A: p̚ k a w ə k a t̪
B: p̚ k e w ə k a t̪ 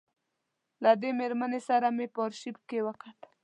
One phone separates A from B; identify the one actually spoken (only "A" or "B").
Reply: B